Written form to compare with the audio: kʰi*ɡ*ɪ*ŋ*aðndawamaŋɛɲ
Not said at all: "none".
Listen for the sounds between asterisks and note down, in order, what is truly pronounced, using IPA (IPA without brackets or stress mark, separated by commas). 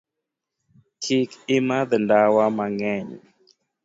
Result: k, m